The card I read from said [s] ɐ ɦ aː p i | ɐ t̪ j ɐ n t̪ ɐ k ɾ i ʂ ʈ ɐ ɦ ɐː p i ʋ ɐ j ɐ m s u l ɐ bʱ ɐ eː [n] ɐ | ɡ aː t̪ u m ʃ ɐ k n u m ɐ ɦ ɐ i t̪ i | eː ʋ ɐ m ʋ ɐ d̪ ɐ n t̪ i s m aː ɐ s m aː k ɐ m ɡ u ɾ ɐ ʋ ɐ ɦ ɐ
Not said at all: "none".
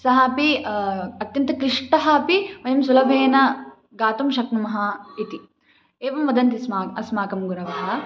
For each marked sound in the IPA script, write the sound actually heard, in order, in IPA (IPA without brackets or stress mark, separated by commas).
s, n